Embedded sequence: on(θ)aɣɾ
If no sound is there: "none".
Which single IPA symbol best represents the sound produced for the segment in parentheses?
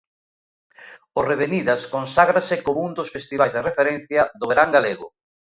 s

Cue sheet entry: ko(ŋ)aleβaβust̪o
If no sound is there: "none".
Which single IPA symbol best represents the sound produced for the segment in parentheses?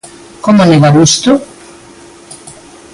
m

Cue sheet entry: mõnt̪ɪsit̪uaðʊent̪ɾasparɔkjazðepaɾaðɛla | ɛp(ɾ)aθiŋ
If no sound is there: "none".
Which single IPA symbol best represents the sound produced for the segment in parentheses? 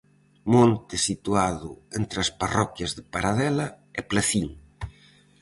l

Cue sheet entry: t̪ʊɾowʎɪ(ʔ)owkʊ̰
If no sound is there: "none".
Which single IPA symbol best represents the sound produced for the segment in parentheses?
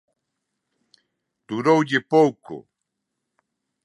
p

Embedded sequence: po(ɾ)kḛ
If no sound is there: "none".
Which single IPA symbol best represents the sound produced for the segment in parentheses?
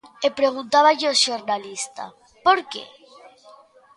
ɾ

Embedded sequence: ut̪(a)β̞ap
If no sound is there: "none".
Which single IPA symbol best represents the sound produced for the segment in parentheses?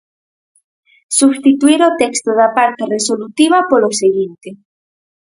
i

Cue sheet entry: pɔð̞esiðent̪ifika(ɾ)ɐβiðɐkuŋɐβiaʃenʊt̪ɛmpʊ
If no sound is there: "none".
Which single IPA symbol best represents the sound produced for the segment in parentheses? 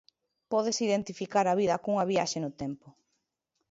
ɾ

